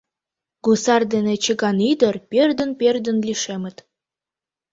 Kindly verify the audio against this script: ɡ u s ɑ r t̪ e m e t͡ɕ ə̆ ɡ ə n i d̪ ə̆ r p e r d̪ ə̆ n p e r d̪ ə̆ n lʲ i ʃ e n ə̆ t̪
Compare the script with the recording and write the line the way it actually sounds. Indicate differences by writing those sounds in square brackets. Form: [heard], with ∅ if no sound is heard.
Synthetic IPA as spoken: ɡ u s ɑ r [d̪] e [n] e t͡ɕ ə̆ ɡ [ɑ] n i d̪ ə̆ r p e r d̪ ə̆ n p e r d̪ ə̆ n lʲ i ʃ e [m] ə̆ t̪